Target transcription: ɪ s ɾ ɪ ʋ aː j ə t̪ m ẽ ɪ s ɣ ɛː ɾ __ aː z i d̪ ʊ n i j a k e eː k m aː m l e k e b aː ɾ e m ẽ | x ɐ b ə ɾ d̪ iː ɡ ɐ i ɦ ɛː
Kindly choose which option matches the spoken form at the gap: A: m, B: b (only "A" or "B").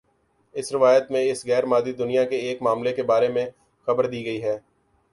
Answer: A